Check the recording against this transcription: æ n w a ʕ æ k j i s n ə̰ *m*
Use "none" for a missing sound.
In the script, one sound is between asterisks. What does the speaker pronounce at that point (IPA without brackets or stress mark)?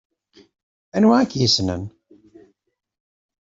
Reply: n